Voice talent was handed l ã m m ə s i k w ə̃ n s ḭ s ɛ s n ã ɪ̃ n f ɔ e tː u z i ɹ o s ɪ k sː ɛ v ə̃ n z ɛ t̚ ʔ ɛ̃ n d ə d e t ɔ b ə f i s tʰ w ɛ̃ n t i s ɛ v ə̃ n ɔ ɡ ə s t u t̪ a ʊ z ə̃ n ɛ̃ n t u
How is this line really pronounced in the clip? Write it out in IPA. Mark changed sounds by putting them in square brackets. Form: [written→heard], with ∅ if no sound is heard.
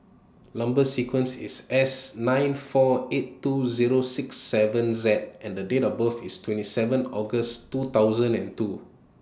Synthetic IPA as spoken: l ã m [m→b] ə s i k w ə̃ n s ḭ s ɛ s n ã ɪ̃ n f ɔ e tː u z i ɹ o s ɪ k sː ɛ v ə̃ n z ɛ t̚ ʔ ɛ̃ n d ə d e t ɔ b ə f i s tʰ w ɛ̃ n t i s ɛ v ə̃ n ɔ ɡ ə s t u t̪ a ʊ z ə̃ n ɛ̃ n t u